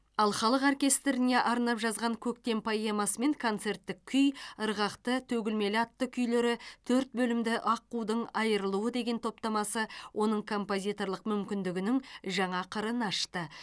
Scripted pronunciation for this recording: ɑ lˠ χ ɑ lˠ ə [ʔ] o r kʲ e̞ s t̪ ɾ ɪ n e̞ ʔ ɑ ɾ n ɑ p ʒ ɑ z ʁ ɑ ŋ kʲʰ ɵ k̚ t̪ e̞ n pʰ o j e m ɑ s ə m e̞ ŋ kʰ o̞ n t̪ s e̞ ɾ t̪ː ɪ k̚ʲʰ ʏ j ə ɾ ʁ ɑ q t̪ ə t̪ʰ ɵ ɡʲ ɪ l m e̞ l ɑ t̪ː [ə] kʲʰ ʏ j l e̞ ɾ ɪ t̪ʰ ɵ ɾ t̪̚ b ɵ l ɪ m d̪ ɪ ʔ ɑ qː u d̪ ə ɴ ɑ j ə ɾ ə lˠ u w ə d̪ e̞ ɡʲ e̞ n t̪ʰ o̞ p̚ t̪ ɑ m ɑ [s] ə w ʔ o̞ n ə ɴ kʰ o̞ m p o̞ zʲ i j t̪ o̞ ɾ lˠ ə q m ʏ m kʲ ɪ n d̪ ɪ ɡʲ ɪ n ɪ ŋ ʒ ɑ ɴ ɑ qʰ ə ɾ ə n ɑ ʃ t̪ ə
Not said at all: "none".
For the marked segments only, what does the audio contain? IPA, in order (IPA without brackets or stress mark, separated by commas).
q, ə, s